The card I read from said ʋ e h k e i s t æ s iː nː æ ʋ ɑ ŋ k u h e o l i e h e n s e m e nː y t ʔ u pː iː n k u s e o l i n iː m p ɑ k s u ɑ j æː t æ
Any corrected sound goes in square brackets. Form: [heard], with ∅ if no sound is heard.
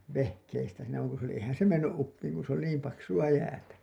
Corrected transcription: ʋ e h k e i s t æ s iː [n] æ ʋ ɑ ŋ k u [s] e o l i e h [æ] n s e m e nː y [ʔ] ʔ u pː iː [ŋ] k u s e o l i n iː m p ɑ k s u ɑ j æː t æ